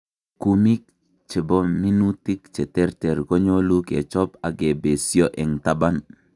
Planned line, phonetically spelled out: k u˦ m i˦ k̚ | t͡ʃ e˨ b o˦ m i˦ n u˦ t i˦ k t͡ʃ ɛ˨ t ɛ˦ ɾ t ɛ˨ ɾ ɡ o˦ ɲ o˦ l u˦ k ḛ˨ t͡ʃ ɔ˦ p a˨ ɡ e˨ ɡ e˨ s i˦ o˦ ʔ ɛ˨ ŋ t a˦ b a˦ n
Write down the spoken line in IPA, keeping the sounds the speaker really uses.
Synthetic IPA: k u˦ m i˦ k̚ | t͡ʃ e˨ b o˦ m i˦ n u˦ t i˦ k t͡ʃ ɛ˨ t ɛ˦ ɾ t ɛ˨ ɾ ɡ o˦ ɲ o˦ l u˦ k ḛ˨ t͡ʃ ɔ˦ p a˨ ɡ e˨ b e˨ s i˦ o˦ ʔ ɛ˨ ŋ t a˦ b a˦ n